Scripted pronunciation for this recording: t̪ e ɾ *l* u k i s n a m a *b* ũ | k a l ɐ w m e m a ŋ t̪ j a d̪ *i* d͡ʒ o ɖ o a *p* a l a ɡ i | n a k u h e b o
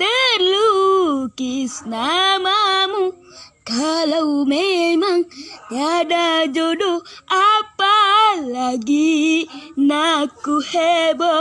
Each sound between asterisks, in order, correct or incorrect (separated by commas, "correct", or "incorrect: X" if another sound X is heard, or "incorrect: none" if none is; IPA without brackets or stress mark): correct, incorrect: m, incorrect: a, correct